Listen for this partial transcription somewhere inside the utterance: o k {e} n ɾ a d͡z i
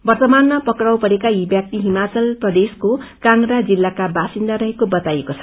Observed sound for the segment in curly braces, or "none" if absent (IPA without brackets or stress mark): a